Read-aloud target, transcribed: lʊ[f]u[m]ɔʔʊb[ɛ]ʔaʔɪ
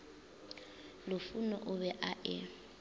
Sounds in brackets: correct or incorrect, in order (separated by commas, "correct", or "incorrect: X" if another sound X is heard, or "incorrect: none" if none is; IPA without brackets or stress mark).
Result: correct, incorrect: n, correct